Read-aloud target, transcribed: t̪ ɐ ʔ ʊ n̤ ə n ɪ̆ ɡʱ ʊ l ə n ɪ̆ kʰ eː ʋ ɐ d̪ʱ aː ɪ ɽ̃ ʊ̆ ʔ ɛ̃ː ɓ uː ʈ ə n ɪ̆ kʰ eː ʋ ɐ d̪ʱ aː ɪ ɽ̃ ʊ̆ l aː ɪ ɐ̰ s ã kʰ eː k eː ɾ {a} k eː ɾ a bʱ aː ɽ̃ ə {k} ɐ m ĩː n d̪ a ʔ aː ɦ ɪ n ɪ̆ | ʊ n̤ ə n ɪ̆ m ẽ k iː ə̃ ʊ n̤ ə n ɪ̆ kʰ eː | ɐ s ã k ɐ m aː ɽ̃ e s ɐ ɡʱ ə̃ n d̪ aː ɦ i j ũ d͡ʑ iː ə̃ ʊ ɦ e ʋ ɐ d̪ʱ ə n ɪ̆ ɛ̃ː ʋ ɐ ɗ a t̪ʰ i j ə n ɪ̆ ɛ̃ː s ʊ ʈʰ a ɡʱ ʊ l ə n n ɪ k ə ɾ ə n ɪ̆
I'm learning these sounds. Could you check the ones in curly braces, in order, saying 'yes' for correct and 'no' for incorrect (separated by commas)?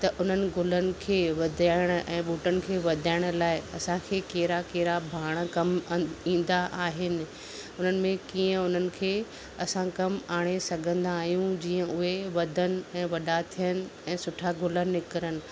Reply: yes, yes